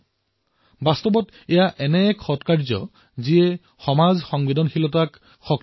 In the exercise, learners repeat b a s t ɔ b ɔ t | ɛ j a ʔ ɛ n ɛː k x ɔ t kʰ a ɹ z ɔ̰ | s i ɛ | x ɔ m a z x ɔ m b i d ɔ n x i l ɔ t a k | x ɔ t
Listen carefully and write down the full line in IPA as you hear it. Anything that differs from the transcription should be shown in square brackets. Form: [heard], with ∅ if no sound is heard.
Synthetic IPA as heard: b a s t ɔ b ɔ t | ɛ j a ʔ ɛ n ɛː k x ɔ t [k] a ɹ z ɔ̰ | [z] i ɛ | x ɔ m a z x ɔ [ŋ] b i d ɔ n x i l ɔ t a k | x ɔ [k]